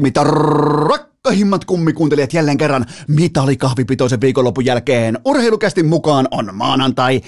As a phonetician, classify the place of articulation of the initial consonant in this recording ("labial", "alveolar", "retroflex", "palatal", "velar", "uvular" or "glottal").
labial